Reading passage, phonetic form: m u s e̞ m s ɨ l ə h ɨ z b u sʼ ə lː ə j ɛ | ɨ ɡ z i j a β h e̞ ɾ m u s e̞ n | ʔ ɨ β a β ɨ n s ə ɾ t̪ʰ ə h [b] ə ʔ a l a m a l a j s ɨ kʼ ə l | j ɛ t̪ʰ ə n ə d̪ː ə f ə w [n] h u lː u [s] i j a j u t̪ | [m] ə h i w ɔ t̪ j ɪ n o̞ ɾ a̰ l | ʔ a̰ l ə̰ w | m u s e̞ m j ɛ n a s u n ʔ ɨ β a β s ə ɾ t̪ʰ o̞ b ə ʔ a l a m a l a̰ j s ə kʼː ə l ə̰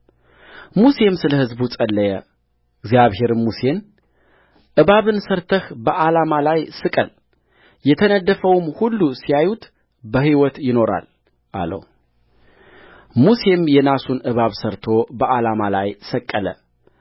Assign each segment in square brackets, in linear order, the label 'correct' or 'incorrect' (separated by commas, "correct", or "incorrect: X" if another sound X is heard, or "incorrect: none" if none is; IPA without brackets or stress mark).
correct, incorrect: m, correct, incorrect: b